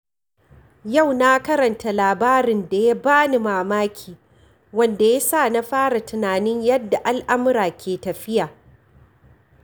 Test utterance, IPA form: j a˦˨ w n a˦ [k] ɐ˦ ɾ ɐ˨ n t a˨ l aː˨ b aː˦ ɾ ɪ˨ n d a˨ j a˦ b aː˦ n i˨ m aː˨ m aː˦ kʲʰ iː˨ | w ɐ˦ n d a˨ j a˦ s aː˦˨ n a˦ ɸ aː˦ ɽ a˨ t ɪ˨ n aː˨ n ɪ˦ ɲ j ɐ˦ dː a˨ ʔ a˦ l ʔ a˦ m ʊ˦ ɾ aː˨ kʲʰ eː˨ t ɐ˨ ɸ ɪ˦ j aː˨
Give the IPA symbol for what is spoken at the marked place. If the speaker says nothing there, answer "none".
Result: k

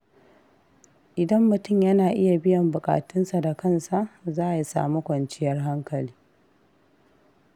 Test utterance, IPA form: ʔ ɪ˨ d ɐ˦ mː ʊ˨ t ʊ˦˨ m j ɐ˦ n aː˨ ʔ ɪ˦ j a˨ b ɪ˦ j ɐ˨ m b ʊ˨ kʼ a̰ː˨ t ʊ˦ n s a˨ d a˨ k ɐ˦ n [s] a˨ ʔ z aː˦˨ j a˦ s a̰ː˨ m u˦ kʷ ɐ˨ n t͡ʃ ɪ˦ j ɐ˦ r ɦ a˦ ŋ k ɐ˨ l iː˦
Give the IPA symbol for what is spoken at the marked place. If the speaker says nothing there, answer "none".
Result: s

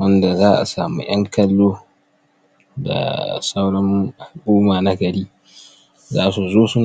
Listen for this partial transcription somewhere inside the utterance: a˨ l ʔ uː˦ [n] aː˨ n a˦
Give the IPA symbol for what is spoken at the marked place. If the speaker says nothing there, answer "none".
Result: m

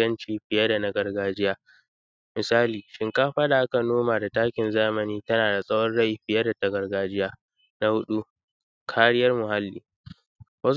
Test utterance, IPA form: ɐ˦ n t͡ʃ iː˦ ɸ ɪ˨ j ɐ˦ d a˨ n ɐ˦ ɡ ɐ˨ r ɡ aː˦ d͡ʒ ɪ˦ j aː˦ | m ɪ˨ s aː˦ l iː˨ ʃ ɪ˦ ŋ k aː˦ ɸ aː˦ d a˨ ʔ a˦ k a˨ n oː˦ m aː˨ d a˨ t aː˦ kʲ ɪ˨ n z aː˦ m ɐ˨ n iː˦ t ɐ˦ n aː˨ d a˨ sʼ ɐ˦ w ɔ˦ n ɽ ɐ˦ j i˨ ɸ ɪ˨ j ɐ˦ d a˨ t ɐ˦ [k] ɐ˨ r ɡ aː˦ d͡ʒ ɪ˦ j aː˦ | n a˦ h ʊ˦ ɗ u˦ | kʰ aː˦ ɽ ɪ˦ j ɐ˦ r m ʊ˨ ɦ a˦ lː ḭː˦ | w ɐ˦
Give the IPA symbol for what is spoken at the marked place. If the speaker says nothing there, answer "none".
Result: ɡ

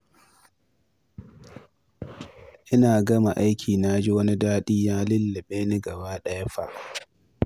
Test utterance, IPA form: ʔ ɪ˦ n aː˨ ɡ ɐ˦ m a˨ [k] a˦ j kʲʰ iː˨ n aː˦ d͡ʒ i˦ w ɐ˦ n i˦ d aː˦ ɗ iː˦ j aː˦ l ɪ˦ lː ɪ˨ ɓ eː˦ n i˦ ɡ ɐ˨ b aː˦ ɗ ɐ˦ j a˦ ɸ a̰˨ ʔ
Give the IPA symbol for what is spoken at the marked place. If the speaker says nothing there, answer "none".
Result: ʔ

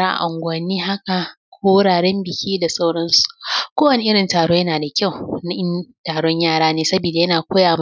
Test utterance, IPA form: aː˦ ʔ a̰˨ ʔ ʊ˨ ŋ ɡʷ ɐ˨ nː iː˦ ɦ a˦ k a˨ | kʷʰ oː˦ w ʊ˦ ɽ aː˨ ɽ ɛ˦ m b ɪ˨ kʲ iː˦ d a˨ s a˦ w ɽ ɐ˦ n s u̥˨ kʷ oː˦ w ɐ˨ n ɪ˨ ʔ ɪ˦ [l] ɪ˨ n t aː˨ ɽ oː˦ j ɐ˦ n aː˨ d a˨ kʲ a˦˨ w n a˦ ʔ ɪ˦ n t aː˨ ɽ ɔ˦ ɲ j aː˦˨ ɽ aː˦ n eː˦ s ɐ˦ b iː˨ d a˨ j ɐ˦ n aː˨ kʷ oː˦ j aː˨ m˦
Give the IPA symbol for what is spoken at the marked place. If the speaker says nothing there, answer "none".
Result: ɽ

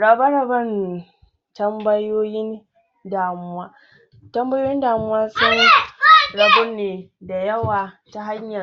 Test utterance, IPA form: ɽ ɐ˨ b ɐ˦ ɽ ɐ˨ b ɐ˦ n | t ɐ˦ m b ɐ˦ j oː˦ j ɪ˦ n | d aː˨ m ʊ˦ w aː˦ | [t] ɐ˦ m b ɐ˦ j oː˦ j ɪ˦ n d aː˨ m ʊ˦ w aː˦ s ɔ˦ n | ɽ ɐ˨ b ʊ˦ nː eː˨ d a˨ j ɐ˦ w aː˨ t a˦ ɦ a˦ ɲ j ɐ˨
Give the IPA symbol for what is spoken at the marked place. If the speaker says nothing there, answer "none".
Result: t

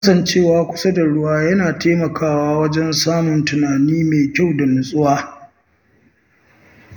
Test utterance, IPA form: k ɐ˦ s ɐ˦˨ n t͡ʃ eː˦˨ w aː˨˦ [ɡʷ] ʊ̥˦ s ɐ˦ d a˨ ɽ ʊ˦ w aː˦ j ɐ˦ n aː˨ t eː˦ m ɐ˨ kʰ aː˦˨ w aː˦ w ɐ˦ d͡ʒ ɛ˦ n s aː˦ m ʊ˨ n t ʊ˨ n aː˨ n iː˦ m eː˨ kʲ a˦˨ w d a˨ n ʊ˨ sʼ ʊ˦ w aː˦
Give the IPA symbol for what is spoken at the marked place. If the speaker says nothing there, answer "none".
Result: kʷ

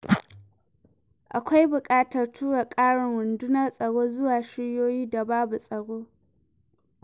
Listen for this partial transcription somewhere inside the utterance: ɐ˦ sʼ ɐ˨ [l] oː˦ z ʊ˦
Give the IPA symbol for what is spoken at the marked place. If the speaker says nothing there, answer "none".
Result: ɽ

